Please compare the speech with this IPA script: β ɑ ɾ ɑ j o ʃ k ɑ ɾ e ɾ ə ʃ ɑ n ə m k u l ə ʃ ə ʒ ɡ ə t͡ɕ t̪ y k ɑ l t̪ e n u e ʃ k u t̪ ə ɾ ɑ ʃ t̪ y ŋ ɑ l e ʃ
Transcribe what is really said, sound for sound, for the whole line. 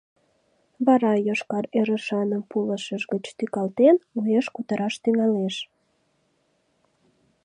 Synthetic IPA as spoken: β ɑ ɾ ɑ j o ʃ k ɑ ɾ e ɾ ə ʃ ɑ n ə m p u l ə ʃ ə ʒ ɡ ə t͡ɕ t̪ y k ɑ l t̪ e n u e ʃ k u t̪ ə ɾ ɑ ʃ t̪ y ŋ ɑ l e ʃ